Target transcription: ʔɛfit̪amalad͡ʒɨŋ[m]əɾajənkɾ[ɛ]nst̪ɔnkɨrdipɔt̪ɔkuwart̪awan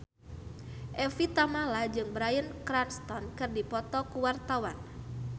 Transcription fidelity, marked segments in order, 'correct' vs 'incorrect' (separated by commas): incorrect, incorrect